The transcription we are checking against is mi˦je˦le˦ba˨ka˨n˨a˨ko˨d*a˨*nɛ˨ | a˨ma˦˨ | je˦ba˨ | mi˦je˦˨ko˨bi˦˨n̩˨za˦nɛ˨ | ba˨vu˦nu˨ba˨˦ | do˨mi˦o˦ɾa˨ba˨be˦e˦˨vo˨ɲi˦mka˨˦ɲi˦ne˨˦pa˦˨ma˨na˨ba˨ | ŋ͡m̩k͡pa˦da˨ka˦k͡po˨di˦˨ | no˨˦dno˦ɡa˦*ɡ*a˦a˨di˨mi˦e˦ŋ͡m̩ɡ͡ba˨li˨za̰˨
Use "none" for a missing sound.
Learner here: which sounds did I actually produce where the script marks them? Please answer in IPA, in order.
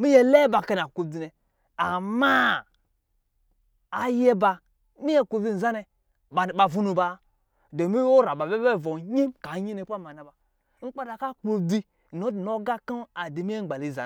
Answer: i˨, k

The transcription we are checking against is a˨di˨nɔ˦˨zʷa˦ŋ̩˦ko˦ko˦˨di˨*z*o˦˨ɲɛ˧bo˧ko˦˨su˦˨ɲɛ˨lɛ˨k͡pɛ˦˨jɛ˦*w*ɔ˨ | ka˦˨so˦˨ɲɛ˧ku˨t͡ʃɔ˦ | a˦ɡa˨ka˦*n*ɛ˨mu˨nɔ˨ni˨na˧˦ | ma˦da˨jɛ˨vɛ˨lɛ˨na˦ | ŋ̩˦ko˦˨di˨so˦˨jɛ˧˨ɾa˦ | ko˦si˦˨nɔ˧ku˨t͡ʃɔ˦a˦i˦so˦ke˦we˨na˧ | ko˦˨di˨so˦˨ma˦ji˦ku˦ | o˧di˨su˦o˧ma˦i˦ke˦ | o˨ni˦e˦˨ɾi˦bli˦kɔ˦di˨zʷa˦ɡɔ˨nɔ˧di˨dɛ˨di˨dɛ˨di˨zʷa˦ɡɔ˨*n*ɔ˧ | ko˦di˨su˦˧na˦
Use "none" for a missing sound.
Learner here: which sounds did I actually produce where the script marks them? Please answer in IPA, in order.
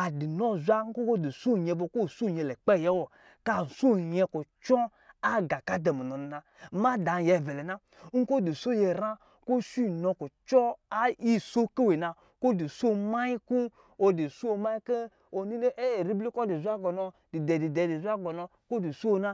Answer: s, w, d, n

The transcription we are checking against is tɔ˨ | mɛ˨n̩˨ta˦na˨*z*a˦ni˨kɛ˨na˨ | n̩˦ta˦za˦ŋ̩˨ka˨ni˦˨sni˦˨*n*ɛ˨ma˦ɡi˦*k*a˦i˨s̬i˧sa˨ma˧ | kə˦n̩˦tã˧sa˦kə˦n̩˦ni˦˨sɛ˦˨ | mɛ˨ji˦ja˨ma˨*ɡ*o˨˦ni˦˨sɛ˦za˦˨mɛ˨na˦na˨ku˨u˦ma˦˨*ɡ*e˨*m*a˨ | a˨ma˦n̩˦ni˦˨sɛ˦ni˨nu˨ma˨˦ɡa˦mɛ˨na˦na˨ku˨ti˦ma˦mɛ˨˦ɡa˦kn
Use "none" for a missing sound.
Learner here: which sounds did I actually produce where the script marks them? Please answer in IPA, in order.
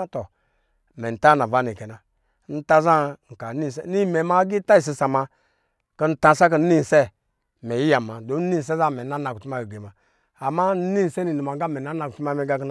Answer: v, m, t, d, ɡ, m

